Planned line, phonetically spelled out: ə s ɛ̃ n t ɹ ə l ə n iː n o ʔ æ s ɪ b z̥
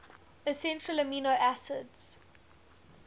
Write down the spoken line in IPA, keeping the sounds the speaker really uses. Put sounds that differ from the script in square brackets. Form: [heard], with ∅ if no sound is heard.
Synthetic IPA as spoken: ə s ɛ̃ n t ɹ ə l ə [m] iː n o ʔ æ s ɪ [d] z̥